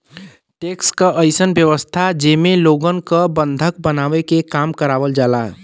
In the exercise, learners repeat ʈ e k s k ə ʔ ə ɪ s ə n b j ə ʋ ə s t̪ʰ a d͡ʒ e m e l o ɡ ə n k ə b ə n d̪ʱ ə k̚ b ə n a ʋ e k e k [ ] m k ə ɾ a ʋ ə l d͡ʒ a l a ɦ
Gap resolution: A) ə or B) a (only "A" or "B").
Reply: B